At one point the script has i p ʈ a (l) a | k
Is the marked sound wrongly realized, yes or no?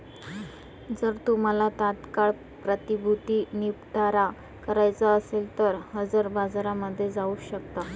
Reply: yes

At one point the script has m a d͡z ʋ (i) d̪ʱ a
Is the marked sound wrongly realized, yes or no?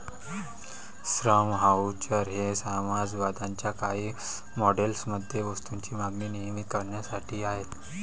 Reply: yes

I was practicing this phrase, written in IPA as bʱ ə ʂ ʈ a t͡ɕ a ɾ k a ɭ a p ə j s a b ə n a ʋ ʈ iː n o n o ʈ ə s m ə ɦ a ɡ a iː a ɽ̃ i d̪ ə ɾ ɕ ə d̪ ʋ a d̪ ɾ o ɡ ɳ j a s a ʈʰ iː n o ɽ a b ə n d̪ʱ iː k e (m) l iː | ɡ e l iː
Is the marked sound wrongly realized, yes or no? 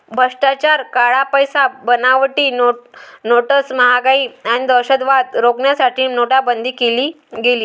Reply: yes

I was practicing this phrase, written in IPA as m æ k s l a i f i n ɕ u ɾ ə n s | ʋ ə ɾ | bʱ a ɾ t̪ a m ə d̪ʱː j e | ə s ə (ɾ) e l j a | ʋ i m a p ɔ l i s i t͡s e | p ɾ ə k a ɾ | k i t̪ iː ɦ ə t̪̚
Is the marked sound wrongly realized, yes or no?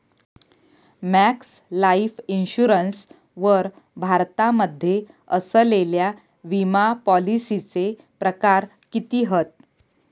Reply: yes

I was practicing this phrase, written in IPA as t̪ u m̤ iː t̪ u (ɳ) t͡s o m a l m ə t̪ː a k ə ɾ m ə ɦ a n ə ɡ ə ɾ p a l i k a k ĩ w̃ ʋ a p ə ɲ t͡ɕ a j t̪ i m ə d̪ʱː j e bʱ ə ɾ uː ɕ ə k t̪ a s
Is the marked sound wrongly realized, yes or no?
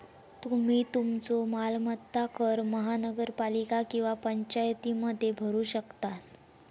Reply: yes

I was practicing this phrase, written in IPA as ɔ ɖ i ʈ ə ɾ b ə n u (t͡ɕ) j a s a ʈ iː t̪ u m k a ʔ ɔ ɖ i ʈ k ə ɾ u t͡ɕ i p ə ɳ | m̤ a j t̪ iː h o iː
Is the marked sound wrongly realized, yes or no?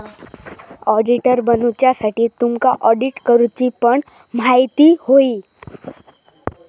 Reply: no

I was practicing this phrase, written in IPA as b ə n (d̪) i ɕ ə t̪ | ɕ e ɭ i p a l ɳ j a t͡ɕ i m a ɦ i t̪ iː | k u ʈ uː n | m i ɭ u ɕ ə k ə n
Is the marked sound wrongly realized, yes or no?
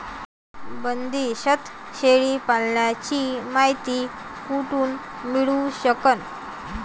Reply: no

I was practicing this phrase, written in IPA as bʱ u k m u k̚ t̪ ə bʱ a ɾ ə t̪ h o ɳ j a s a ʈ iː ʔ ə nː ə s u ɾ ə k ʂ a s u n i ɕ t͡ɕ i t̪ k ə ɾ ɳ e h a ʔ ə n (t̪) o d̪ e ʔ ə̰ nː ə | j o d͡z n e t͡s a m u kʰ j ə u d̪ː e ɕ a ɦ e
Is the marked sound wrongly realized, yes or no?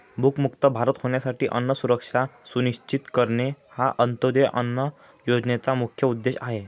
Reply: no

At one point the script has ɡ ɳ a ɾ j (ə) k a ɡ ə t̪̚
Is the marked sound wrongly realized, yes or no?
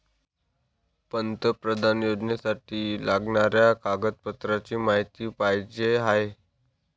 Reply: yes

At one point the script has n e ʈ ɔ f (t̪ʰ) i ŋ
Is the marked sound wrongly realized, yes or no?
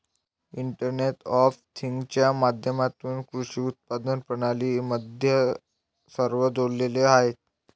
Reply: no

